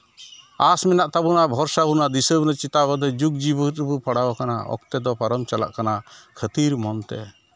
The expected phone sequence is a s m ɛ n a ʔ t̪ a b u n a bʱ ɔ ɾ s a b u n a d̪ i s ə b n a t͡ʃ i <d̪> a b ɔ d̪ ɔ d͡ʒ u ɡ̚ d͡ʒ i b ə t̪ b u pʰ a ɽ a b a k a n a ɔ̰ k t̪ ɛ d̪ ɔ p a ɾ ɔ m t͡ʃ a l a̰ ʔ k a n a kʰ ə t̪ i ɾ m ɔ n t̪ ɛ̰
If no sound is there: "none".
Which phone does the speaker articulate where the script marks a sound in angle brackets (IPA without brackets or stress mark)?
t̪